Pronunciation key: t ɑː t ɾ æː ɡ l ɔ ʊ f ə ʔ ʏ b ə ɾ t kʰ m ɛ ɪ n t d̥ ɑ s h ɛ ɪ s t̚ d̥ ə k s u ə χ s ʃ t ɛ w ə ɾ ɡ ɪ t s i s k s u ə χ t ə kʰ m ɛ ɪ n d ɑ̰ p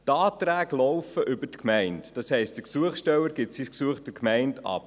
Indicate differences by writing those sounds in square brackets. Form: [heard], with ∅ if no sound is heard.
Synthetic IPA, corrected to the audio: t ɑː t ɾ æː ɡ l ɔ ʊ f ə ʔ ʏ b ə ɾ t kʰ m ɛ ɪ n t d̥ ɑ s h ɛ ɪ s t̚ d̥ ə k s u ə χ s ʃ t ɛ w ə ɾ ɡ ɪ t s i s k s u ə χ t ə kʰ m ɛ ɪ n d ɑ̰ p

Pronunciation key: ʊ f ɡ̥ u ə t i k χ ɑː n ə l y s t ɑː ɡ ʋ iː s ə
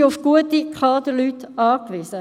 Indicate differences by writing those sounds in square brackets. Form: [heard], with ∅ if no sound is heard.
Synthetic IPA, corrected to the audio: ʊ f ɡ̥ u ə t i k χ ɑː [d] ə l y [∅] t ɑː [k] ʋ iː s ə

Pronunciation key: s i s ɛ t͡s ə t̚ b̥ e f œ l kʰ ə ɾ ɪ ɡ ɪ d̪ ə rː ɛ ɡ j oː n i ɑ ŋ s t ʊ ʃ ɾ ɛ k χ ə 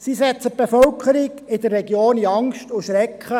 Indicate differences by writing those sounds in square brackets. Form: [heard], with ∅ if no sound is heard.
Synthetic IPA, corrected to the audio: s i s ɛ t͡s ə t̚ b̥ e f œ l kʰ ə ɾ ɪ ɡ ɪ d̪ ə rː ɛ ɡ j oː n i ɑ ŋ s t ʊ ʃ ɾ ɛ k χ ə

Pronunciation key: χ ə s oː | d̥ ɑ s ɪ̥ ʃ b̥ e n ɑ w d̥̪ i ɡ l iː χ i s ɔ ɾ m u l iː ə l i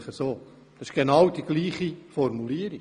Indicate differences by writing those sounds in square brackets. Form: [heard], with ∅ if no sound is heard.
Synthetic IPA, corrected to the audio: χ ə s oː | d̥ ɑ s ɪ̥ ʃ [ɡ̥] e n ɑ w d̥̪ i ɡ l iː χ i [f] ɔ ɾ m u l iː ə [ɾ] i

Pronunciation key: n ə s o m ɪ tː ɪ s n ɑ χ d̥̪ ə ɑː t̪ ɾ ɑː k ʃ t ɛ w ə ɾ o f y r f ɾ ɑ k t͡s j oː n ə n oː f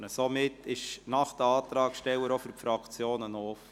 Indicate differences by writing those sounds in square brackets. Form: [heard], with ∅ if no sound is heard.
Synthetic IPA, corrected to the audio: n ə s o m ɪ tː ɪ [ʃ] n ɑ χ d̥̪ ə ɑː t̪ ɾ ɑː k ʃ t ɛ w ə ɾ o f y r f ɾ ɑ k t͡s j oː n ə n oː f

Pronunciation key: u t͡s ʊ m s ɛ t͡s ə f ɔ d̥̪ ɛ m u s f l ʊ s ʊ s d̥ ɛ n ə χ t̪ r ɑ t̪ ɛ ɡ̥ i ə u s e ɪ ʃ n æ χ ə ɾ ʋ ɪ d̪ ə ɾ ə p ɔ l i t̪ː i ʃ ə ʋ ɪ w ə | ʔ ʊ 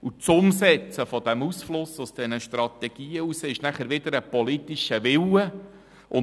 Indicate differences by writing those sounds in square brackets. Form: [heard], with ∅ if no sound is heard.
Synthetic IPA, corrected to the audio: u t͡s ʊ m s ɛ t͡s ə f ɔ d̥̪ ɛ m u s f l ʊ s ʊ s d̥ ɛ n ə [ʃ] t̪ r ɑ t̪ ɛ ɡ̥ [iː] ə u s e ɪ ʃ n æ χ ə ɾ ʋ ɪ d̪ ə ɾ ə p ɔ l i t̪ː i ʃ ə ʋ ɪ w ə | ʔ ʊ

